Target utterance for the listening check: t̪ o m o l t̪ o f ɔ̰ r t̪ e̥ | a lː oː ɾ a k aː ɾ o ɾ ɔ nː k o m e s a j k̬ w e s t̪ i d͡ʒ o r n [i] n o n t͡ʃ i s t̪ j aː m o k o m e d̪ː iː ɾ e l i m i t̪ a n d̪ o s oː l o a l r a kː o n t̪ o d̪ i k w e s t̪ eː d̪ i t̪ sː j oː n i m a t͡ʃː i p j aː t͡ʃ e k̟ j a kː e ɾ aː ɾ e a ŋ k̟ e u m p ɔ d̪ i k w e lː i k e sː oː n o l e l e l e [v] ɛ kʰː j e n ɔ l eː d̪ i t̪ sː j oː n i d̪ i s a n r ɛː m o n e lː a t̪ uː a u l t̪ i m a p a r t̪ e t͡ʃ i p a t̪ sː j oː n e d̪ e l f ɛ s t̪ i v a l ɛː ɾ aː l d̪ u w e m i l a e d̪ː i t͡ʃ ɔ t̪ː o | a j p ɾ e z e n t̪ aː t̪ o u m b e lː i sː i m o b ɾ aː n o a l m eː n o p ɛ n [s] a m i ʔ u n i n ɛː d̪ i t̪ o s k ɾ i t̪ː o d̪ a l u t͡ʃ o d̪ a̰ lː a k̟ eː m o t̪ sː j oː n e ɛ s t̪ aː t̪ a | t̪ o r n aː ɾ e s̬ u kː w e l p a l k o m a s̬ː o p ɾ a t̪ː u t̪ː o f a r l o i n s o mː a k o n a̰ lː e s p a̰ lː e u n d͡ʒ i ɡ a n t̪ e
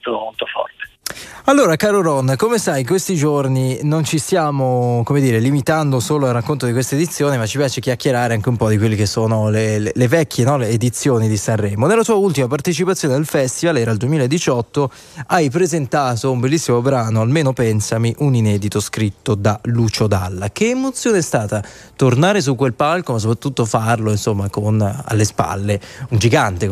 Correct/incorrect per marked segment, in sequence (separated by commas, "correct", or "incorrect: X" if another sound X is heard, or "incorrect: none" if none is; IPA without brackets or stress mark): correct, correct, correct